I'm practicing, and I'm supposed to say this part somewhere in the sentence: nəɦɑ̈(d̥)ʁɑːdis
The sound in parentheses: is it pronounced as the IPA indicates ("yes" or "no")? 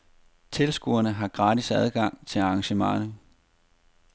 no